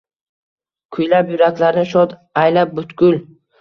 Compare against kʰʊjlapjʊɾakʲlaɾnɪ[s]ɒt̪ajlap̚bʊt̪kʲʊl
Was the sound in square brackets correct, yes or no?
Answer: no